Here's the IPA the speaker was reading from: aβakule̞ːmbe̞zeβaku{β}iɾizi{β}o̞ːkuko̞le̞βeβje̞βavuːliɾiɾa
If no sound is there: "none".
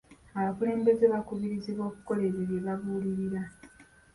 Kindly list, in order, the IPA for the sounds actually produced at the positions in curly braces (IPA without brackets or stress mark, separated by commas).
β, β